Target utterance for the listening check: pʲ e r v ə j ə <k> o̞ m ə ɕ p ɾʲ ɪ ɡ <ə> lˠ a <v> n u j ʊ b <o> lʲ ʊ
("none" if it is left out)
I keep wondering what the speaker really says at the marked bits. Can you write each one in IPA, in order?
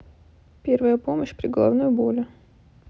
p, ə, v, o

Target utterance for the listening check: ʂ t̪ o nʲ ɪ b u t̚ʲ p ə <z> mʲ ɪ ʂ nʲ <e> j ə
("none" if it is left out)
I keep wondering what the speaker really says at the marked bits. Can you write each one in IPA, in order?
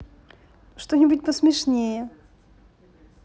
s, e

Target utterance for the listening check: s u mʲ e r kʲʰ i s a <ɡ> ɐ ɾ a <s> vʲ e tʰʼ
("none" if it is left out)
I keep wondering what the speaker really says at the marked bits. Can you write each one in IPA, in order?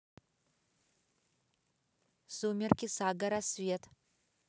ɡ, s

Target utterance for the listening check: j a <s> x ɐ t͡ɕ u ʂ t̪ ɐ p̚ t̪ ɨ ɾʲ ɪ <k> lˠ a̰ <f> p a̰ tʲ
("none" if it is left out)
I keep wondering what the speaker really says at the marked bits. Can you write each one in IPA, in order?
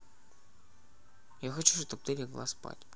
none, ɡ, s

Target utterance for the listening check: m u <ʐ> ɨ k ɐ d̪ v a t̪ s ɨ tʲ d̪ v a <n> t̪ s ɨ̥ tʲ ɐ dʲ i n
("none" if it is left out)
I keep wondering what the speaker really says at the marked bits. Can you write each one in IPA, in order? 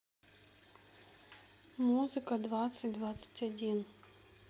z, none

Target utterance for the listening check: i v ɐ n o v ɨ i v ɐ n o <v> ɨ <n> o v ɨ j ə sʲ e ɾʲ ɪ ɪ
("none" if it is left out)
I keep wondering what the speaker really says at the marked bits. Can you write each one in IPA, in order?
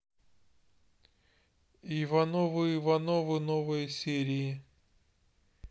v, n

